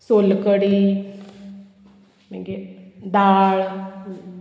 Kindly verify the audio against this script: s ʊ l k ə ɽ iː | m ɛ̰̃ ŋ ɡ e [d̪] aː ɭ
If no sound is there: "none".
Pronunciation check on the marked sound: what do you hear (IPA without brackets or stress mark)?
d̪